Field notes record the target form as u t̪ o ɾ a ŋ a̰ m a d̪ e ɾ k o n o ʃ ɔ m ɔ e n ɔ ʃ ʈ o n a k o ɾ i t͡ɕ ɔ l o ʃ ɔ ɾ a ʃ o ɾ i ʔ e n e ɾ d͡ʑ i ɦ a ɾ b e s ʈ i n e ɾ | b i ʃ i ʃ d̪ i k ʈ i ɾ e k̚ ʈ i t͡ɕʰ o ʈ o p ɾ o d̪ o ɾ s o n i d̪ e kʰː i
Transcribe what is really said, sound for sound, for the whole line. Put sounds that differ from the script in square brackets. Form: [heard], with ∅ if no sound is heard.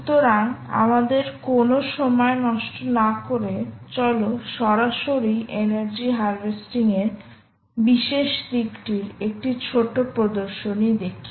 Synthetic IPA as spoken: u t̪ o ɾ a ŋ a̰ m a d̪ e ɾ k o n o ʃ ɔ m ɔ e n ɔ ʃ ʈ o n a k o ɾ [e] t͡ɕ ɔ l o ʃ ɔ ɾ a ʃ o ɾ i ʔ e n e ɾ d͡ʑ i ɦ a ɾ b e s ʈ i [ŋ] e ɾ | b i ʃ [e] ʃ d̪ i k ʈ i ɾ e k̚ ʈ i t͡ɕʰ o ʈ o p ɾ o d̪ o ɾ [ʃ] o n i d̪ e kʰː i